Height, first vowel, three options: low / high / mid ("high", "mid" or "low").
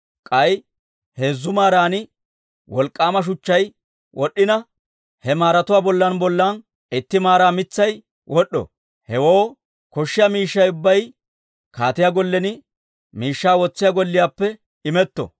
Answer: low